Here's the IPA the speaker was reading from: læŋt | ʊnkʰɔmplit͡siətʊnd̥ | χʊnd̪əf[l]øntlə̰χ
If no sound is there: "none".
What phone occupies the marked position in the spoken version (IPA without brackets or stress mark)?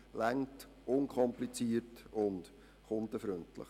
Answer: ɾ